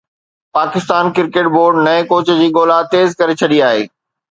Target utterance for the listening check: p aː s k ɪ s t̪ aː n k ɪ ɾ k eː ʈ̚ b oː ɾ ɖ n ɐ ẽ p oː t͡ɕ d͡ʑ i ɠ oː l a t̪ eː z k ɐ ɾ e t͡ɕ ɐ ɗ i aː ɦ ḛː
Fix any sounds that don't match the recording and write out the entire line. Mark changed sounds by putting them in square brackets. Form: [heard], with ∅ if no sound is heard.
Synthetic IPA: p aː [∅] k ɪ s t̪ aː n k ɪ ɾ k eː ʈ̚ b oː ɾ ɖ n ɐ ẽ [k] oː t͡ɕ d͡ʑ [iː] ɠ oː l a t̪ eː z k ɐ ɾ e [t͡ɕʰ] ɐ ɗ i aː ɦ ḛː